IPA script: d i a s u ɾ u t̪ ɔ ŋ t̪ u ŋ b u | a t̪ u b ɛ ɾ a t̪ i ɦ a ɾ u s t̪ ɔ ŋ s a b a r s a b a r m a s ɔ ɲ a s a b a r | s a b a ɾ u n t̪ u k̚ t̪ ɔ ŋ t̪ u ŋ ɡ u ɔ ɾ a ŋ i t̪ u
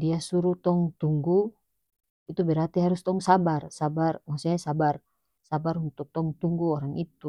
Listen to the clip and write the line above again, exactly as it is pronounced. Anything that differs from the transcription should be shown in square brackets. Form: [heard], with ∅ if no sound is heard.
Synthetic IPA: d i a s u ɾ u t̪ ɔ ŋ t̪ u ŋ [ɡ] u | [i] t̪ u b ɛ ɾ a t̪ i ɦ a ɾ u s t̪ ɔ ŋ s a b a r s a b a r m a s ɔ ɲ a s a b a r | s a b a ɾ u n t̪ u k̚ t̪ ɔ ŋ t̪ u ŋ ɡ u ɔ ɾ a ŋ i t̪ u